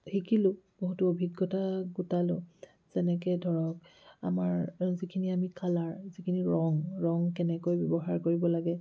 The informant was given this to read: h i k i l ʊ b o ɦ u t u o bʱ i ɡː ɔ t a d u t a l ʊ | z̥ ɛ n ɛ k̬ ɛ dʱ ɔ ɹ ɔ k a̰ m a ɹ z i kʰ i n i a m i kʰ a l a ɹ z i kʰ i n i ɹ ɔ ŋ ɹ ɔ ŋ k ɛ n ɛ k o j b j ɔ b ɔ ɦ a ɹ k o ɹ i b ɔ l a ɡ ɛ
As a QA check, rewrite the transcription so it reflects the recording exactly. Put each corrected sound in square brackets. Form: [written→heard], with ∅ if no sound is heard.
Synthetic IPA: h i k i l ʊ b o ɦ u t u o bʱ i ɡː ɔ t a [d→ɡ] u t a l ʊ | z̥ ɛ n ɛ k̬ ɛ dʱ ɔ ɹ ɔ k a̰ m a ɹ z i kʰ i n i a m i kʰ a l a ɹ z i kʰ i n i ɹ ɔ ŋ ɹ ɔ ŋ k ɛ n ɛ k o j b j ɔ b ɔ ɦ a ɹ k o ɹ i b ɔ l a ɡ ɛ